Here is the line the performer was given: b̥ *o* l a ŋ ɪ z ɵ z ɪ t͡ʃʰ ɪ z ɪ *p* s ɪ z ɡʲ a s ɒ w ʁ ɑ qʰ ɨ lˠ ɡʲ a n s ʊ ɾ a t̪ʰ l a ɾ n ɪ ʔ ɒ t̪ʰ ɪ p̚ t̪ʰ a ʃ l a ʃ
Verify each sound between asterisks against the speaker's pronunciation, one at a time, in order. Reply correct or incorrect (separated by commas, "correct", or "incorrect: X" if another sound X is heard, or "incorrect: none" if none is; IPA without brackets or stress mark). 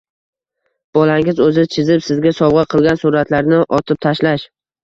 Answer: incorrect: ɒ, correct